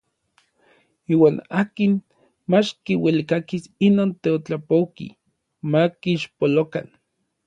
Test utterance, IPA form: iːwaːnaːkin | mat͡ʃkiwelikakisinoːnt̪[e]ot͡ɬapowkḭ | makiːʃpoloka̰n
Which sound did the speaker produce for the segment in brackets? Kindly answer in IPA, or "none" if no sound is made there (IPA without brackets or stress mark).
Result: e